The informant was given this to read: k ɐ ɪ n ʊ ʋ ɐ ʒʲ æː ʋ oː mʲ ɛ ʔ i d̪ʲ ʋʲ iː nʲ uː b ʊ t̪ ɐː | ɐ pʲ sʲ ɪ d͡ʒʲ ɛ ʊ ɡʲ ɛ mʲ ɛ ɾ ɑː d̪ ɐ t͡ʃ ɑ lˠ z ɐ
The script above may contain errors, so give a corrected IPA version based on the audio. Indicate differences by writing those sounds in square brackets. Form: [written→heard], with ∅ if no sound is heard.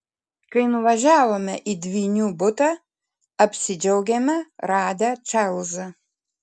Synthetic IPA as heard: k ɐ ɪ n ʊ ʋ ɐ ʒʲ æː ʋ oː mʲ ɛ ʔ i d̪ʲ ʋʲ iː nʲ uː b ʊ t̪ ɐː | ɐ pʲ sʲ ɪ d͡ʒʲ ɛ ʊ ɡʲ ɛ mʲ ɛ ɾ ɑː d̪ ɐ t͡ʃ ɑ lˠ z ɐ